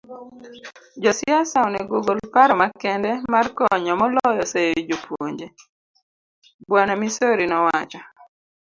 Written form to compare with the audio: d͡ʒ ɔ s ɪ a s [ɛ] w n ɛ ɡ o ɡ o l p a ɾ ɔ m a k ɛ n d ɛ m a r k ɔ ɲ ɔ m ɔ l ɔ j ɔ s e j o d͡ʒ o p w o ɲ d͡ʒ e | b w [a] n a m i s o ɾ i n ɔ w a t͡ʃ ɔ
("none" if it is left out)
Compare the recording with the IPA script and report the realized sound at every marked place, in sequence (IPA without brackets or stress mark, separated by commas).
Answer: a, a